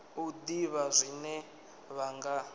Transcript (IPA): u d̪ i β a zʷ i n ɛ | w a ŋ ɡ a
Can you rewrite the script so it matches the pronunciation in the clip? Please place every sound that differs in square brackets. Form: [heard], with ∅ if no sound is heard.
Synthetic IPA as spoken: u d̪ i β a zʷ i n ɛ | [β] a ŋ ɡ a